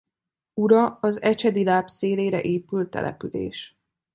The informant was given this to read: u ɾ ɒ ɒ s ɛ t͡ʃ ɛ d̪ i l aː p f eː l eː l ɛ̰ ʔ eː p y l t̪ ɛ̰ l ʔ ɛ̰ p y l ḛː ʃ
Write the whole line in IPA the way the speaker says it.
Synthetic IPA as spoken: u ɾ ɒ ɒ z ɛ t͡ʃ ɛ d̪ i l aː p s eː l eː ɾ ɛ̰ ʔ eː p y l t̪ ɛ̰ l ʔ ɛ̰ p y l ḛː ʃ